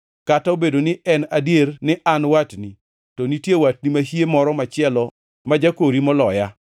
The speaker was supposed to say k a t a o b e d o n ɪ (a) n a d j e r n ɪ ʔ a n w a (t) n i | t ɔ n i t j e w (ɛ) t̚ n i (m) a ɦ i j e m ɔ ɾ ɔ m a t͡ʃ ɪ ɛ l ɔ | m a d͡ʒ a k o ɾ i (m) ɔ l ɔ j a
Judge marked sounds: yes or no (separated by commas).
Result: no, yes, no, yes, yes